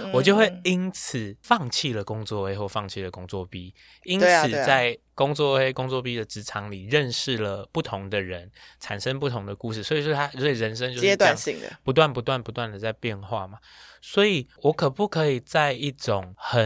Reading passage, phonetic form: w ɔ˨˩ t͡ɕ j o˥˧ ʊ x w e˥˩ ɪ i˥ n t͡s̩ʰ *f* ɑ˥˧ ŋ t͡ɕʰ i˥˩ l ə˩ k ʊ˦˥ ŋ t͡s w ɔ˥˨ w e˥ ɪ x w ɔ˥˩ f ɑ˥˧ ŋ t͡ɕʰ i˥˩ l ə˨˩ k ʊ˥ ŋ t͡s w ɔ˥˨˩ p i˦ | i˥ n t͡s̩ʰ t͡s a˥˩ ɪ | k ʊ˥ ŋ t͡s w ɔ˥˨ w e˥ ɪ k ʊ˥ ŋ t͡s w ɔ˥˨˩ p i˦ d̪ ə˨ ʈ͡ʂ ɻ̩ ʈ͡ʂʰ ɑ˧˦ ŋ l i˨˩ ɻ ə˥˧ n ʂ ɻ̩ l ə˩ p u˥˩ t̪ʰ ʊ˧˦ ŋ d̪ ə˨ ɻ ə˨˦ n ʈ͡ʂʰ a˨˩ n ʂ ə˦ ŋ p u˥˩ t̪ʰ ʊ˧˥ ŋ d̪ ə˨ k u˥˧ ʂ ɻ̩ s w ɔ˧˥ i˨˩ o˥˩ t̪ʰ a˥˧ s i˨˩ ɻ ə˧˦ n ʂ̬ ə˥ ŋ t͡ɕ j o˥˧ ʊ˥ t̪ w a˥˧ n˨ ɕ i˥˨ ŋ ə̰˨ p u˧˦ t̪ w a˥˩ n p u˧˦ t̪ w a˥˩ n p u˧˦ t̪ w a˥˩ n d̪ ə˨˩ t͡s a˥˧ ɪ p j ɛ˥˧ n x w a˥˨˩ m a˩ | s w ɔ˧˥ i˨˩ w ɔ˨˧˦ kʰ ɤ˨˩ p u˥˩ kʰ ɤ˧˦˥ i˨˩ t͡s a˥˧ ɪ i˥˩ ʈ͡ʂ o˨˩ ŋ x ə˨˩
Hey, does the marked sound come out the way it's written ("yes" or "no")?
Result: yes